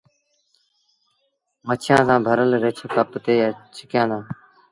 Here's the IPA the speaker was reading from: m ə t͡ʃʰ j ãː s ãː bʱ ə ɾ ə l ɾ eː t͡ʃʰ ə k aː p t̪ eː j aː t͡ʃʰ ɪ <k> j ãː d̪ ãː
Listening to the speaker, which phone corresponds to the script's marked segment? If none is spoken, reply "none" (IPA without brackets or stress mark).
k